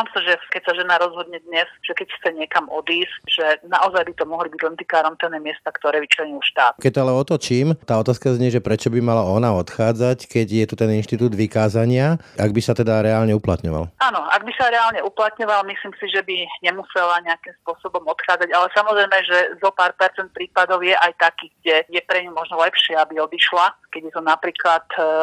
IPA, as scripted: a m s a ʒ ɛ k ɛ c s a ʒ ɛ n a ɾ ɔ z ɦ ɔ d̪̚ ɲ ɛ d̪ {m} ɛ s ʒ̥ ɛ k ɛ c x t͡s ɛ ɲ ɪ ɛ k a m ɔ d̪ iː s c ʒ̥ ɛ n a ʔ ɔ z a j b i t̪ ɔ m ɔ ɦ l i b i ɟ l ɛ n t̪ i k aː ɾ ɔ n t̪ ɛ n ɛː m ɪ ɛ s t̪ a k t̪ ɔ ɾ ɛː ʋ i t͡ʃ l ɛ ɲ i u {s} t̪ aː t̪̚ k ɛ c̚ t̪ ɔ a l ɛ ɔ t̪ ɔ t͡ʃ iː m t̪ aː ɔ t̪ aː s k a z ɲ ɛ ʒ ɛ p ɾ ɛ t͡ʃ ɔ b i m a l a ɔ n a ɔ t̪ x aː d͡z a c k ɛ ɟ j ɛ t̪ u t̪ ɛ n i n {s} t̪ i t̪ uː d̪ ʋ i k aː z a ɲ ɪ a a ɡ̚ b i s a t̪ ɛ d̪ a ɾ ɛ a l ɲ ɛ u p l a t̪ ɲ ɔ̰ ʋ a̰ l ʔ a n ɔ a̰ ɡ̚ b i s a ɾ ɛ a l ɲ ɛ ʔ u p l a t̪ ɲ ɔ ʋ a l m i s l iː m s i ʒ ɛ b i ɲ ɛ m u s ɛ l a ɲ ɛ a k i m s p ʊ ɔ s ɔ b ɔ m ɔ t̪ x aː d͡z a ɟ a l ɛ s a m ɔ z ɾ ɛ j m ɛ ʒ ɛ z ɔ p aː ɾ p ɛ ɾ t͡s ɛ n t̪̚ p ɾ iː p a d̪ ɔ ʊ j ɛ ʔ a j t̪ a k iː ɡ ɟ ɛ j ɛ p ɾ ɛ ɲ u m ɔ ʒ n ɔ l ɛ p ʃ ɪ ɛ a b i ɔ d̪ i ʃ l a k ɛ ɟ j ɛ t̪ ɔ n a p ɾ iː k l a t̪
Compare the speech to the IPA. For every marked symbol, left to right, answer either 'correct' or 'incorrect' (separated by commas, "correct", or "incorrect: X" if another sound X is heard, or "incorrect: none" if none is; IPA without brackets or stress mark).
incorrect: ɲ, incorrect: ʃ, incorrect: ʃ